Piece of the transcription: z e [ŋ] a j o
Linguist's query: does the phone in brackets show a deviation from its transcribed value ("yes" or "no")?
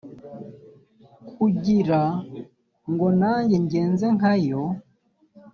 no